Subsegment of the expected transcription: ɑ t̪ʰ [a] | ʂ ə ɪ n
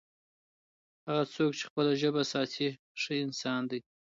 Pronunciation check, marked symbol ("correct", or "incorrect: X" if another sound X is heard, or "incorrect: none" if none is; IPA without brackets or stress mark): incorrect: i